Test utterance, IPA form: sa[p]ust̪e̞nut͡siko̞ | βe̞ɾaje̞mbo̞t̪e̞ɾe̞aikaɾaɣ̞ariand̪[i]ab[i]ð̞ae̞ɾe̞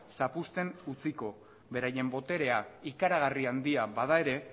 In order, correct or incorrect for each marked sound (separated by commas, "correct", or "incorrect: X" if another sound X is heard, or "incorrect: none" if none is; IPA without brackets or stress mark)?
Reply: correct, correct, incorrect: a